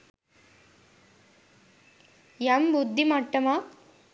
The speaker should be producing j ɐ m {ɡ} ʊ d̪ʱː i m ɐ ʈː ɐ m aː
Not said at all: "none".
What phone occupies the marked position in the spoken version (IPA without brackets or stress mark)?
b